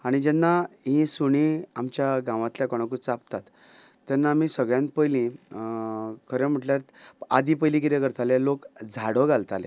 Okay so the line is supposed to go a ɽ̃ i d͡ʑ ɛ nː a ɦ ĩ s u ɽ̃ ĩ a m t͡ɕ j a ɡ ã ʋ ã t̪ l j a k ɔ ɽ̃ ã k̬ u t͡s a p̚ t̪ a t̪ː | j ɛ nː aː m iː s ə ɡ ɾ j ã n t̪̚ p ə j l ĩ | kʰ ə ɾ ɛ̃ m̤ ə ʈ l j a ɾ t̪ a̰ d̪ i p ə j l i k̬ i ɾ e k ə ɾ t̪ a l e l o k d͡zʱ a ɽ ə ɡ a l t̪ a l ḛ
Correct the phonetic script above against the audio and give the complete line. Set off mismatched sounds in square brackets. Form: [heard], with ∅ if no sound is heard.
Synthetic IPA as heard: a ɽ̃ i d͡ʑ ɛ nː a ɦ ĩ s u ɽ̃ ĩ a m t͡ɕ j a ɡ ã ʋ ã t̪ l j a k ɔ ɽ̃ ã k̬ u t͡s a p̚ t̪ a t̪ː | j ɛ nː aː m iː s ə ɡ [ɭ] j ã n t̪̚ p ə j l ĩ | kʰ ə ɾ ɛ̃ m̤ ə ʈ l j a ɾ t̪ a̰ d̪ i p ə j l i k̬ i ɾ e k ə ɾ t̪ a l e l o k d͡zʱ a ɽ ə ɡ a l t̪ a l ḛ